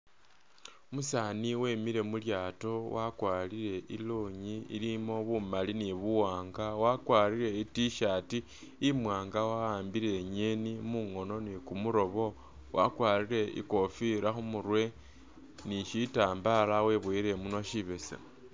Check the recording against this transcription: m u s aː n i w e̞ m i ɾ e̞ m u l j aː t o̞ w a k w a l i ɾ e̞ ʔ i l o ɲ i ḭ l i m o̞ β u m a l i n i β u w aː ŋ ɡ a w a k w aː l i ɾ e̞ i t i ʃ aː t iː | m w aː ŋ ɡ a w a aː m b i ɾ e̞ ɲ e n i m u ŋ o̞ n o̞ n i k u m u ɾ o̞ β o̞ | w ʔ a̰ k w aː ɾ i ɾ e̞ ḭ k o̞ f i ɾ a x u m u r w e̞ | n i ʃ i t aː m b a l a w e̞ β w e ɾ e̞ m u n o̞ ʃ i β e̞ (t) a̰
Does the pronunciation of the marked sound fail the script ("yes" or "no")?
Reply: yes